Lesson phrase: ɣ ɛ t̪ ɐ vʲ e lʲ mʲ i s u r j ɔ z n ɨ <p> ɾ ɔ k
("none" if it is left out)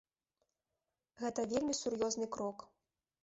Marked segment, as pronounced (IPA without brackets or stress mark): k